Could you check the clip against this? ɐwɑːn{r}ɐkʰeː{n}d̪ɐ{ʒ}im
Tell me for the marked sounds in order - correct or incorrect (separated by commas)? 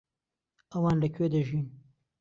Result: incorrect, incorrect, correct